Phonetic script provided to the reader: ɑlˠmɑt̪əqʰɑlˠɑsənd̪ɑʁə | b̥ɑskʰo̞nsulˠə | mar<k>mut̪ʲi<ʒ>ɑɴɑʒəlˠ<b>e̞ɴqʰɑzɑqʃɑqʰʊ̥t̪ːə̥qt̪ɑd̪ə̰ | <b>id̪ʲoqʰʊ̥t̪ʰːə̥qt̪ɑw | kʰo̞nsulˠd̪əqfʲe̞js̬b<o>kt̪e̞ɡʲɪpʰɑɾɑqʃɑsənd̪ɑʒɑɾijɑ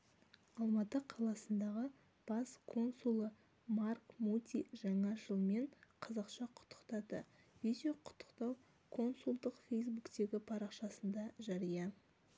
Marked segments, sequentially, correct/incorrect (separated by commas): correct, correct, incorrect, incorrect, incorrect